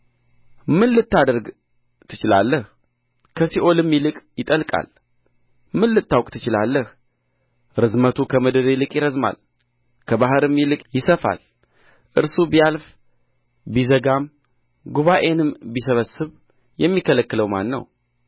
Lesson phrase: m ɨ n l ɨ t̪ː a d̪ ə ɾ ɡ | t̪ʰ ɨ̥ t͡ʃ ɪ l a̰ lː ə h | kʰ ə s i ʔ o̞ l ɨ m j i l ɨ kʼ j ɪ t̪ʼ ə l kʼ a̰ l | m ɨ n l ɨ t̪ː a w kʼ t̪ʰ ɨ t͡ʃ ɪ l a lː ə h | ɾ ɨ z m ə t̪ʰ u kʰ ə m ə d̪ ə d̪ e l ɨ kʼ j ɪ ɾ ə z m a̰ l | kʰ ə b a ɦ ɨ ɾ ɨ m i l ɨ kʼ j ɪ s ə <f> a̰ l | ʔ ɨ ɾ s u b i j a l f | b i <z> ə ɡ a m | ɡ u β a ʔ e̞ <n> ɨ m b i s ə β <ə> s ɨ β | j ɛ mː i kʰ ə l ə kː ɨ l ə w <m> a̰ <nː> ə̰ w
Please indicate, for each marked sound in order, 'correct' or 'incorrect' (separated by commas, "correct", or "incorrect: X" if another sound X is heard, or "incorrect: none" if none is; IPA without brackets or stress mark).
correct, correct, correct, correct, correct, correct